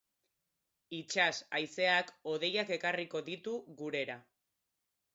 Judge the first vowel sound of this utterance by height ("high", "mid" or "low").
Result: high